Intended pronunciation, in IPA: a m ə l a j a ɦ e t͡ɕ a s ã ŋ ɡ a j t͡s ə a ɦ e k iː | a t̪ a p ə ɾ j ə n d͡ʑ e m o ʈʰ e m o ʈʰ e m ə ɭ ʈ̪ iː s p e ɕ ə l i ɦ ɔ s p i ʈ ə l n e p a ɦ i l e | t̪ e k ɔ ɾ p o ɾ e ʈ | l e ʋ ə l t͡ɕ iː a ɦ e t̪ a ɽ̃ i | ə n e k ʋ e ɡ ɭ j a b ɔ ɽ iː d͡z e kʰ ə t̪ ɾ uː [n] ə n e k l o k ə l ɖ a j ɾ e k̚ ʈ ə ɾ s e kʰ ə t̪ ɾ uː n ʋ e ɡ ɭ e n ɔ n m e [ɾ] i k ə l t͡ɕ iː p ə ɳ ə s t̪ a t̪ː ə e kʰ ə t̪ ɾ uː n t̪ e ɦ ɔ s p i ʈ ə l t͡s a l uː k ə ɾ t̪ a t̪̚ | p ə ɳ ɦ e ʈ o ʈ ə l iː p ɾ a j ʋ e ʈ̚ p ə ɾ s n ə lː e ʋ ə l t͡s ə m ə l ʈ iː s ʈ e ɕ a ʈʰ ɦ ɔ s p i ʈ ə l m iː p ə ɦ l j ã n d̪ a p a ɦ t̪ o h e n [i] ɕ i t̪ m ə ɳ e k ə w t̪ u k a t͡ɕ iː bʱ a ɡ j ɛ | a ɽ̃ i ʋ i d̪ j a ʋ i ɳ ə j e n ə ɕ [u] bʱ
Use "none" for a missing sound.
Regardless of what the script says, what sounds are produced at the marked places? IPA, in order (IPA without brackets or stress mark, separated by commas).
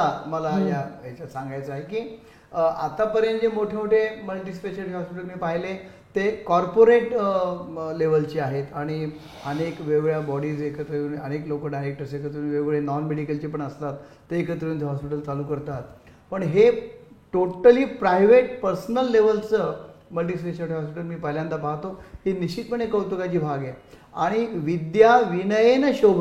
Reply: n, ɽ, i, o